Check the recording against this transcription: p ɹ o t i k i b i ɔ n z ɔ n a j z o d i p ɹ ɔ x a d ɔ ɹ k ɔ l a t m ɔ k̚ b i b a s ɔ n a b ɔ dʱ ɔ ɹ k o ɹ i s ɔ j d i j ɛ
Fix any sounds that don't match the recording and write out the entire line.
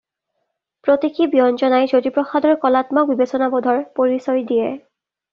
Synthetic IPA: p ɹ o t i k i b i ɔ n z ɔ n a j z o d i p ɹ ɔ x a d ɔ ɹ k ɔ l a t m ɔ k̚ b i b e s ɔ n a b ɔ dʱ ɔ ɹ p o ɹ i s ɔ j d i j ɛ